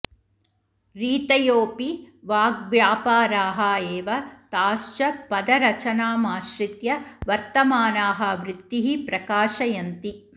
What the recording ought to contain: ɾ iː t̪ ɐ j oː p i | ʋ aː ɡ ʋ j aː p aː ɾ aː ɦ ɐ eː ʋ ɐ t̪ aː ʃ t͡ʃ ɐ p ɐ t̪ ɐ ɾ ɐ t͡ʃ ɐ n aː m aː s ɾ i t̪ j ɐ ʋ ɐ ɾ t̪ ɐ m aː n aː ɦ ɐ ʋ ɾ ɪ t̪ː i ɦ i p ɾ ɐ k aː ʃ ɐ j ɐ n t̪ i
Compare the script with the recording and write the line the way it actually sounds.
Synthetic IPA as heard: ɾ iː t̪ ɐ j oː p i | ʋ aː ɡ ʋ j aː p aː ɾ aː ɦ ɐ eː ʋ ɐ t̪ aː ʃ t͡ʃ ɐ p ɐ d̪ ɐ ɾ ɐ t͡ʃ ɐ n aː m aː ʃ ɾ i t̪ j ɐ ʋ ɐ ɾ t̪ ɐ m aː n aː ɦ ɐ ʋ ɾ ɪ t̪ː i ɦ i p ɾ ɐ k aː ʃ ɐ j ɐ n t̪ i